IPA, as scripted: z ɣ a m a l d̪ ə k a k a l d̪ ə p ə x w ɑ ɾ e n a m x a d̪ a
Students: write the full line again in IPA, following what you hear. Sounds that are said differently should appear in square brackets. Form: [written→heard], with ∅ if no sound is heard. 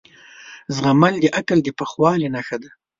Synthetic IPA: z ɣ a m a l d̪ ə [k→ʔ] a k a l d̪ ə p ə x w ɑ [ɾ→l] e n a [m→∅] x a d̪ a